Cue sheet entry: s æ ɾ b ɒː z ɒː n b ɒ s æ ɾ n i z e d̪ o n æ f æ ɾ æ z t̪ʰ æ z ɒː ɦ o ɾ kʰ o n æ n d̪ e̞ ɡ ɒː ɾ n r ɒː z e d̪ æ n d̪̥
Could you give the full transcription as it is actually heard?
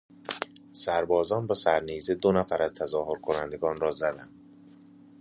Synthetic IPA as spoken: s æ ɾ b ɒː z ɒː n b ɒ s æ ɾ n i z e d̪ o n æ f æ ɾ æ z t̪ʰ æ z ɒː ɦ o ɾ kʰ o n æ n d̪ e̞ ɡ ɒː n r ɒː z æ d̪ æ n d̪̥